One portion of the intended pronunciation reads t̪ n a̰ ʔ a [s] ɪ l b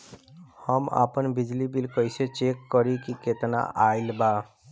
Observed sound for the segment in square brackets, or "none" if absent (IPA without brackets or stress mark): none